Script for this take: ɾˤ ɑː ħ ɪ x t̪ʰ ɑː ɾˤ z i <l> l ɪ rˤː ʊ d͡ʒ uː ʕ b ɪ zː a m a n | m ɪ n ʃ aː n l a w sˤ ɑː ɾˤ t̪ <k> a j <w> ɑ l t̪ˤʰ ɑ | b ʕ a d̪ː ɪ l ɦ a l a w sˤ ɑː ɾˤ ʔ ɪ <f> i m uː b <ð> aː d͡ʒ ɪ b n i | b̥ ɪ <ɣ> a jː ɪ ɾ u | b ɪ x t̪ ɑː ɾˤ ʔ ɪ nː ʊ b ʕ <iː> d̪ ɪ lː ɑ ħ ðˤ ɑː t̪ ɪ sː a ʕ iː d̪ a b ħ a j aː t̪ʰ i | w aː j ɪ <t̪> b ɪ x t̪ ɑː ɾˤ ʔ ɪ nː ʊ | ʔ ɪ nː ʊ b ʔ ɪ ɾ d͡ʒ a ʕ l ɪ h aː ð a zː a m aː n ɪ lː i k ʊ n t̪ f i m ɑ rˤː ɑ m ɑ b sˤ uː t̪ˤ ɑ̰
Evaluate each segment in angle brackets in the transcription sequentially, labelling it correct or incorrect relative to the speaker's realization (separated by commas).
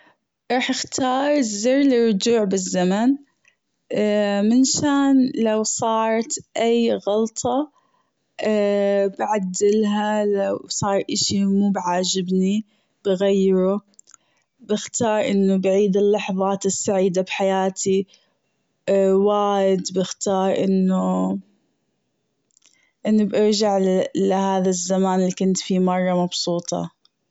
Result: incorrect, incorrect, incorrect, incorrect, incorrect, correct, correct, incorrect